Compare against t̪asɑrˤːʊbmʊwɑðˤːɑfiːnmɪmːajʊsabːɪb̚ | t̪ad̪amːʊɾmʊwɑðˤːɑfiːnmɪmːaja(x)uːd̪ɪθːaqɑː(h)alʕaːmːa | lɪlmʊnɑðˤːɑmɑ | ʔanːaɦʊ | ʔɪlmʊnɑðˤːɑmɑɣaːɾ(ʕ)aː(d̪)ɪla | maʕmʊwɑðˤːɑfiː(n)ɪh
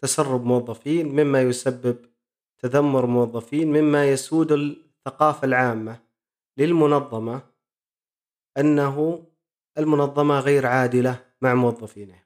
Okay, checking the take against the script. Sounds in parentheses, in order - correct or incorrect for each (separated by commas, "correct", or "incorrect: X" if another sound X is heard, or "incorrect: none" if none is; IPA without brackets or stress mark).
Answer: incorrect: s, incorrect: f, correct, correct, correct